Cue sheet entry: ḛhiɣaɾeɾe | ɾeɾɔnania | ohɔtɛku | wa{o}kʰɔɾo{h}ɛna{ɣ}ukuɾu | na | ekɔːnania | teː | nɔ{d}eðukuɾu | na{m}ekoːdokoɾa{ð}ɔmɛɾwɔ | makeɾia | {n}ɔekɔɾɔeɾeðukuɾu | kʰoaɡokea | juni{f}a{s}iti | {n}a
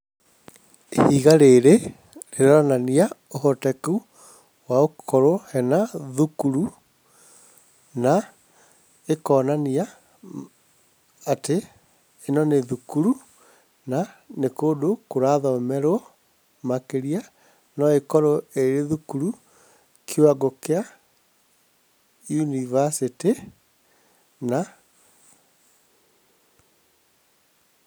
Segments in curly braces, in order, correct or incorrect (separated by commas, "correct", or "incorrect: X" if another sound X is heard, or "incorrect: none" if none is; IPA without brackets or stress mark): correct, correct, incorrect: ð, incorrect: n, incorrect: n, correct, correct, incorrect: v, correct, correct